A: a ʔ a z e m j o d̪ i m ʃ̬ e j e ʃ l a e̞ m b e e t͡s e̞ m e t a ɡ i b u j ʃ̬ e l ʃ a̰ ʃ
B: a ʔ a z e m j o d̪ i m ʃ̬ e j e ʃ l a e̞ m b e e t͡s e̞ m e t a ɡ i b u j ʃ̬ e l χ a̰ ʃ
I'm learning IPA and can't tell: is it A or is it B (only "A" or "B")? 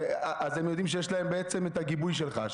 B